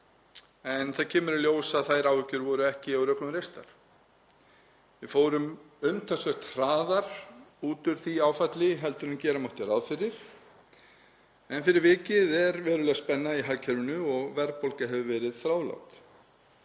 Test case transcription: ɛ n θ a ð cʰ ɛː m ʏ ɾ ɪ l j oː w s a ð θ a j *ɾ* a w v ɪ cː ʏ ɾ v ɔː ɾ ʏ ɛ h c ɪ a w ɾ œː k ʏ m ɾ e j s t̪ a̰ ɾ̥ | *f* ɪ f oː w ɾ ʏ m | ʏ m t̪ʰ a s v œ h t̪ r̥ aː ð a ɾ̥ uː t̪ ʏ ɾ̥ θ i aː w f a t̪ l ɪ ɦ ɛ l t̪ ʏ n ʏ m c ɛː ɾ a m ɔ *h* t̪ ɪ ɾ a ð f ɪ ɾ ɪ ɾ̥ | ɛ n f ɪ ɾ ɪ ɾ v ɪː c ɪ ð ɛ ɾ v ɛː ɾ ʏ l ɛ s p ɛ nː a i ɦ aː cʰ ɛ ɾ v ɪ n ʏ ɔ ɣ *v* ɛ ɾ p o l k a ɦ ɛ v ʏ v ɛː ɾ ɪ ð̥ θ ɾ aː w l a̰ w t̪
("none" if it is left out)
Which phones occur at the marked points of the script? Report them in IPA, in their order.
ɾ, v, h, v

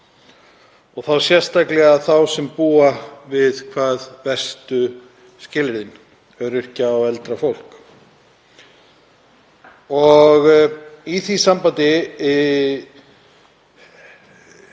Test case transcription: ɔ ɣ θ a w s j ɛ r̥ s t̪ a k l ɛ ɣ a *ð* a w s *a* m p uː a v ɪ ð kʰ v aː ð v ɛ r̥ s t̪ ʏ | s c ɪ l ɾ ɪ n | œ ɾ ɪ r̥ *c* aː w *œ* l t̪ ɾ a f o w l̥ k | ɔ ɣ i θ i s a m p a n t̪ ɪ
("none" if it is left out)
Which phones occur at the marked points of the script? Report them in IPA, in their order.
θ, ɛ, c, ɛ

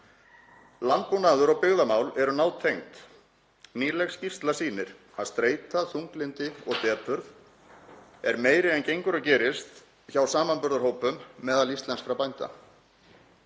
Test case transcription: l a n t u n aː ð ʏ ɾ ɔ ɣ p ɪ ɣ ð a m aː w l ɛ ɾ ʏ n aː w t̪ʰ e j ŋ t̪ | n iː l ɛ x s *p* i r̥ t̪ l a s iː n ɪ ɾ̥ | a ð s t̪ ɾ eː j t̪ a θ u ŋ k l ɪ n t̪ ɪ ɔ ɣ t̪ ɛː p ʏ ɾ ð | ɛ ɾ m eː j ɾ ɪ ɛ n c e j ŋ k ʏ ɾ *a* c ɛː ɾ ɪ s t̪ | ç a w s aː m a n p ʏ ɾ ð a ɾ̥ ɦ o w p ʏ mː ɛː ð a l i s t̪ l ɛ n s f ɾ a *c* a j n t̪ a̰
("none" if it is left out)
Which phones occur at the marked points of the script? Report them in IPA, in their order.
c, a, p

